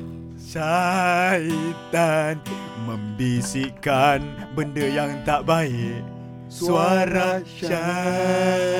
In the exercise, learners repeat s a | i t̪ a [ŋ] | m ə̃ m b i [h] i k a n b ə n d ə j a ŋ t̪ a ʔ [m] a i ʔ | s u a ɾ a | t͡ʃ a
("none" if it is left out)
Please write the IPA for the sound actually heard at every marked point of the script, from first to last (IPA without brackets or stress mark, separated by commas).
n, s, b